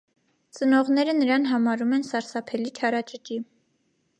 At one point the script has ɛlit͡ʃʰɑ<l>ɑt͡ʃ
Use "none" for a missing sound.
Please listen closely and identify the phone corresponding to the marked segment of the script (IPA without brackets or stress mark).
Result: ɾ